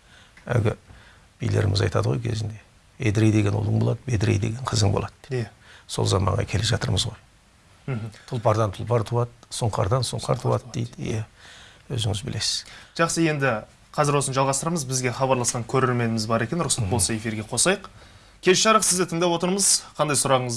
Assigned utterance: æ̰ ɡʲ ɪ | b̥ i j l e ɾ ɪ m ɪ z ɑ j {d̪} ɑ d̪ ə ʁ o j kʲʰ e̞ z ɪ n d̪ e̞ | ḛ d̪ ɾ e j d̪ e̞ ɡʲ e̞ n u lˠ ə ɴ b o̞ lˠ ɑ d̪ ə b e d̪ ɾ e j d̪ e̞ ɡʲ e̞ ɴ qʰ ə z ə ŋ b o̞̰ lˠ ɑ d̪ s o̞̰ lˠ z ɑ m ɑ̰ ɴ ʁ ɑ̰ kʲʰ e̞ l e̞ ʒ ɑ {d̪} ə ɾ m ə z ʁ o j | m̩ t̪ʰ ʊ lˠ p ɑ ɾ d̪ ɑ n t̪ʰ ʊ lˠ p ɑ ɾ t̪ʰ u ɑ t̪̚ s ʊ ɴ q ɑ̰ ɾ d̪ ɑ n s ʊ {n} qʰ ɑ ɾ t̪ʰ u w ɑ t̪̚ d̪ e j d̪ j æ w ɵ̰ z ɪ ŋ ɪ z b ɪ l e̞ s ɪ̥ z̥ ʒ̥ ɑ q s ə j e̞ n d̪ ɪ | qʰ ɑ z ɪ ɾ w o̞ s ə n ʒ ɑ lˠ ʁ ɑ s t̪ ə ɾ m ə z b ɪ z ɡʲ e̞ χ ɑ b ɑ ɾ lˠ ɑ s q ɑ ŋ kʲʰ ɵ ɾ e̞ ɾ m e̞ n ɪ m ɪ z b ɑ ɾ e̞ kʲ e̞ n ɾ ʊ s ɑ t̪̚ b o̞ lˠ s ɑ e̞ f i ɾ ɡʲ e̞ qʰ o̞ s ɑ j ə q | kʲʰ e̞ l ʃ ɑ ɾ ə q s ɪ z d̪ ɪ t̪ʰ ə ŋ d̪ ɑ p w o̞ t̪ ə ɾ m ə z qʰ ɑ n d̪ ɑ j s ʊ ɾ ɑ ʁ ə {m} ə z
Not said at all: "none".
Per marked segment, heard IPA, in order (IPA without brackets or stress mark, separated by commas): t̪, t̪, ɴ, ɴ